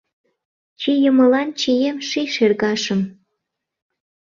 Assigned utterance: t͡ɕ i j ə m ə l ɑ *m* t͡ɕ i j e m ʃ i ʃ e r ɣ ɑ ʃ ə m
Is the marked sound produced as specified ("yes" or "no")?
no